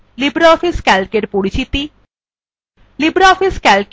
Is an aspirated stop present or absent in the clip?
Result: absent